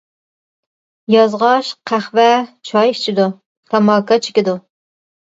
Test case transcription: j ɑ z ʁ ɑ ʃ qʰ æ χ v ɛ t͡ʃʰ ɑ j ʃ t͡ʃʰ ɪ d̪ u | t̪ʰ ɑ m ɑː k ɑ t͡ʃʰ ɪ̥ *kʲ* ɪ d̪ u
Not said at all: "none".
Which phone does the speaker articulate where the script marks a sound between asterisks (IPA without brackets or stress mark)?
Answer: kʲ